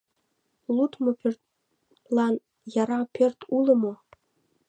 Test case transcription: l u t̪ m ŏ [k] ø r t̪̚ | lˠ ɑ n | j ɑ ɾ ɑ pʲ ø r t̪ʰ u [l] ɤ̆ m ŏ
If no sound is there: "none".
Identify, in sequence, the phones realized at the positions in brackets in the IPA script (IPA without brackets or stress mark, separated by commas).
p, l